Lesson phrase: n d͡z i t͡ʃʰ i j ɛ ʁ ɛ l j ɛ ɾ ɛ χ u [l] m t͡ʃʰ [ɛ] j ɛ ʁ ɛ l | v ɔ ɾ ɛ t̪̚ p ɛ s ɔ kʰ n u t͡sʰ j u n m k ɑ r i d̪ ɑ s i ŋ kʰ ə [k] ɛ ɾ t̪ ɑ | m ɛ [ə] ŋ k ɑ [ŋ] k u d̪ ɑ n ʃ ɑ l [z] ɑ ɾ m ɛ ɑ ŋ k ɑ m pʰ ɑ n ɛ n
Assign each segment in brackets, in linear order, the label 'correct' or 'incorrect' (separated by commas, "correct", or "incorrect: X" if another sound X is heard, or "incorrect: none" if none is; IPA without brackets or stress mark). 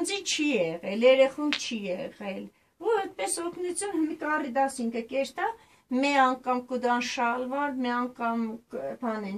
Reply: incorrect: none, incorrect: i, correct, incorrect: ɑ, incorrect: m, incorrect: v